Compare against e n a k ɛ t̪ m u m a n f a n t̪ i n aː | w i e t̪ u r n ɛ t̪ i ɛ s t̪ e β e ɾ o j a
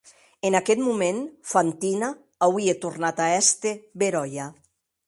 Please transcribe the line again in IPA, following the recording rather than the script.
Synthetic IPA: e n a k ɛ t̪ m u m e n f a n t̪ i n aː | w i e t̪ u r n a t̪ a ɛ s t̪ e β e ɾ ɔ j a

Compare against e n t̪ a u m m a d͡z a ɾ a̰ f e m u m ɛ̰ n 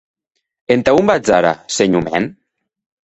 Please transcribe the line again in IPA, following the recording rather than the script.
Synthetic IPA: e n t̪ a u m b a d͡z a ɾ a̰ s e ɲ u m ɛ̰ n

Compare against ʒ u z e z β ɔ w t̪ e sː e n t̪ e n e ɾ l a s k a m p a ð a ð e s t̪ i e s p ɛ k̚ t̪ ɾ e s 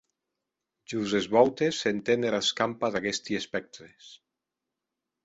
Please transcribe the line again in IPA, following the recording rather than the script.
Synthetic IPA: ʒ u z e z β ɔ w t̪ e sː e n t̪ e n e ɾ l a s k a m p a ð a ɣ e s t̪ i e s p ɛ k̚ t̪ ɾ e s

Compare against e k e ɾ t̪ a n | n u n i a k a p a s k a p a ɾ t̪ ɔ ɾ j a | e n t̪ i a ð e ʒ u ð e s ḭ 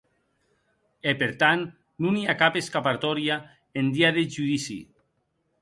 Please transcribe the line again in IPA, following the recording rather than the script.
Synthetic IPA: e p e ɾ t̪ a n | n u n i a k a p e s k a p a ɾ t̪ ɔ ɾ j a | e n d̪ i a ð e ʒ u ð i s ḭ

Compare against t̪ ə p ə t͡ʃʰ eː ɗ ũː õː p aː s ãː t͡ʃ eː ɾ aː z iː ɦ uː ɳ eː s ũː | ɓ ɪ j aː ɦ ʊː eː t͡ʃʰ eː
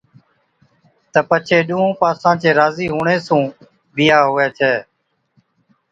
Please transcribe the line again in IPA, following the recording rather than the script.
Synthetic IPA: t̪ ə p ə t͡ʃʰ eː ɗ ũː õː p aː s ãː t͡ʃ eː ɾ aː z iː ɦ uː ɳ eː s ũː | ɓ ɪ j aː ɦ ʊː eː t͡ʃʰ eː

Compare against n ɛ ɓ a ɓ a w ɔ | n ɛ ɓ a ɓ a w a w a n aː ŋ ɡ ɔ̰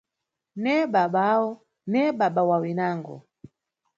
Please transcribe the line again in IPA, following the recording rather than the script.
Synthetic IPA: n ɛ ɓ a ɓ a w ɔ | n ɛ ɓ a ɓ a w a w i n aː ŋ ɡ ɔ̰

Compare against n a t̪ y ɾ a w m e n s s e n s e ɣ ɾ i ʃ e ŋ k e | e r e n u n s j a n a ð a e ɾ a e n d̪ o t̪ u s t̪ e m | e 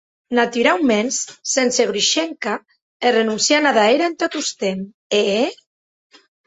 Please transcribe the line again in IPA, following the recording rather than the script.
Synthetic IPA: n a t̪ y ɾ a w m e n s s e n s e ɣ ɾ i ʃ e ŋ k a | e r e n u n s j a n a ð a e ɾ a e n t̪ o t̪ u s t̪ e m | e

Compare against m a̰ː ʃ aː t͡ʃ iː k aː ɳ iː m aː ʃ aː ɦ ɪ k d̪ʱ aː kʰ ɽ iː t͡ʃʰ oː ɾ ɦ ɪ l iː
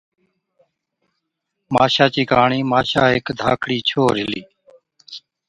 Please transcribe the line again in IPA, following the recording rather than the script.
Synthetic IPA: m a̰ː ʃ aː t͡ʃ iː k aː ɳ iː m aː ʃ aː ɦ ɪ k d̪ʱ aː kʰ ɽ iː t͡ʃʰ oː ɾ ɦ ɪ l iː

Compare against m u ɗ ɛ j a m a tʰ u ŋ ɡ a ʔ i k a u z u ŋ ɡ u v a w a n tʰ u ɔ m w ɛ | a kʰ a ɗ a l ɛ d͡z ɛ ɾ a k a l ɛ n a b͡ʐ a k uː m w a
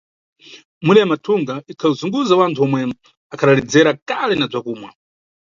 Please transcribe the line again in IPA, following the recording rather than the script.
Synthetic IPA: m u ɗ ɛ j a m a tʰ u ŋ ɡ a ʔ i kʰ a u z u ŋ ɡ u z a w a n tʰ u ɔ m w ɛ | a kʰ a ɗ a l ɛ d͡z ɛ ɾ a k a l ɛ n a b͡ʐ a k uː m w a

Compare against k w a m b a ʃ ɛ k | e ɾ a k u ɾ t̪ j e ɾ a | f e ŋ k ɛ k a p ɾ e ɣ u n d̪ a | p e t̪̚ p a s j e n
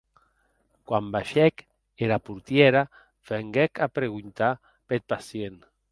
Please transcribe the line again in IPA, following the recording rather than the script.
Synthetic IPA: k w a m b a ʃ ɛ k | e ɾ a p u ɾ t̪ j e ɾ a | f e ŋ ɡ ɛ k a p ɾ e ɣ u n t̪ a | p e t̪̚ p a s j e n

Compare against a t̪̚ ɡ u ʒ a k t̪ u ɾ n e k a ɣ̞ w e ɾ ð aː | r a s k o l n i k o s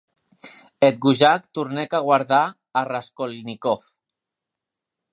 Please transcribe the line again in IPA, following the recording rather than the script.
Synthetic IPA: e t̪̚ ɡ u ʒ a k t̪ u ɾ n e k a ɣ̞ w a ɾ ð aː | r a s k o l n i k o f

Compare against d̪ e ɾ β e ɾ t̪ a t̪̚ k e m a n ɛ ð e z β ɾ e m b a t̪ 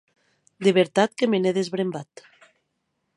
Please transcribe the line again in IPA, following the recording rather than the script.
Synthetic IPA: d̪ e β e ɾ t̪ a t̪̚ k e m e n e ð e z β ɾ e m b a t̪

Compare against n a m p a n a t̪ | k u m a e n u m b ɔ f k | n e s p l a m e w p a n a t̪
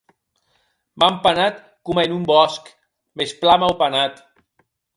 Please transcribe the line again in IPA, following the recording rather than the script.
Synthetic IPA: m a m p a n a t̪ | k u m a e n u m b ɔ s k | m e s p l a m a w p a n a t̪

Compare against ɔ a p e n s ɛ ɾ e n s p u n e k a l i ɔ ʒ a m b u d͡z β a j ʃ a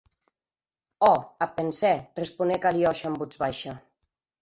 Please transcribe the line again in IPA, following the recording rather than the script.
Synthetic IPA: ɔ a p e n s ɛ r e s p u n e k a l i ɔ ʃ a m b u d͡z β a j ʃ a

